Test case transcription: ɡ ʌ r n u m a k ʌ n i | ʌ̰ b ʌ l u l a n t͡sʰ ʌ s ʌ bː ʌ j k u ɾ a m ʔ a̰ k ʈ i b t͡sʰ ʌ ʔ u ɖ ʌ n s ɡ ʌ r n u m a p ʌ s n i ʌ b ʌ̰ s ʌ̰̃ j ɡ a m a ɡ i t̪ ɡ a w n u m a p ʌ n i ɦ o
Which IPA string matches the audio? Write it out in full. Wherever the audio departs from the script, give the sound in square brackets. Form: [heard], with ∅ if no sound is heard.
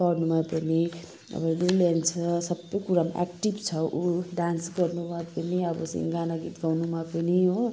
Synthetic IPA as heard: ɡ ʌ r n u m a [p] ʌ n i | ʌ̰ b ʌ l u l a n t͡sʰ ʌ s ʌ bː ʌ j k u ɾ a m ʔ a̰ k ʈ i b t͡sʰ ʌ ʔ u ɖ [a] n s ɡ ʌ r n u m a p ʌ [∅] n i ʌ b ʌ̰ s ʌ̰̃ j ɡ a [n] a ɡ i t̪ ɡ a w n u m a p ʌ n i ɦ o